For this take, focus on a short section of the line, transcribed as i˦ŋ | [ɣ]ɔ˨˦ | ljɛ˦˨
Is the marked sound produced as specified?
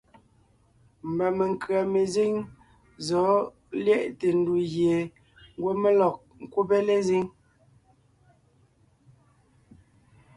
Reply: no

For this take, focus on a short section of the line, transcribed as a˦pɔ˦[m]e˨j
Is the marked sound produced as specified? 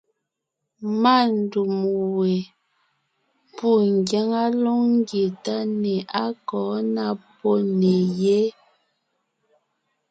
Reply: no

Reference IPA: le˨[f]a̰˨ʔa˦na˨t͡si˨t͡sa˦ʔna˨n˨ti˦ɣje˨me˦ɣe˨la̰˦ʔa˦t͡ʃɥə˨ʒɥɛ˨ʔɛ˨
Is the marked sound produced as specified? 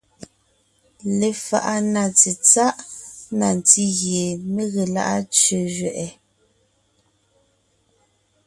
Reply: yes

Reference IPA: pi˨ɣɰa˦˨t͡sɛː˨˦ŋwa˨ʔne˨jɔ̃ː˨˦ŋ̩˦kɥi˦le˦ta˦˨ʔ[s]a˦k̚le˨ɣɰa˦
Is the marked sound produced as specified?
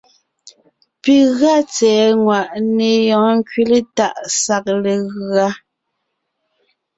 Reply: yes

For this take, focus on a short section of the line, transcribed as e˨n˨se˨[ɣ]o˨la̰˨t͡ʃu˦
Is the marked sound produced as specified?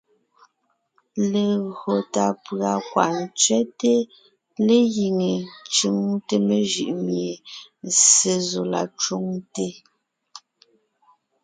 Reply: no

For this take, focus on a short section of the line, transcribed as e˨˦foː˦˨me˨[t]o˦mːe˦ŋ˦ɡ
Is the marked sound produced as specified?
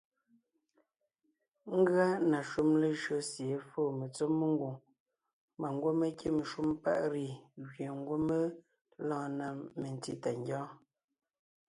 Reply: no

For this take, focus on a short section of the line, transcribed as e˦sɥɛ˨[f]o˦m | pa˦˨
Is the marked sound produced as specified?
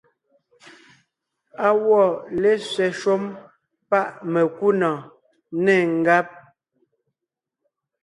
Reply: no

